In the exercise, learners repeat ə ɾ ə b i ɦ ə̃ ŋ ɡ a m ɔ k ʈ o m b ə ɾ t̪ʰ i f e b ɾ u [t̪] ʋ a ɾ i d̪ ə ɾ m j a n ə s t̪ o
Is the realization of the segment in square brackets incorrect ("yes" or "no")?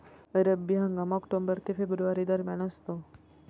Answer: yes